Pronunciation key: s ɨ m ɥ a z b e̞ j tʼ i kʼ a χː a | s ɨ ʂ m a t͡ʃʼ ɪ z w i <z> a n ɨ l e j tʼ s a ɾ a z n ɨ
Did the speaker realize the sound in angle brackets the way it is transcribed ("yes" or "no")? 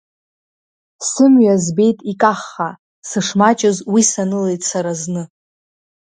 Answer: no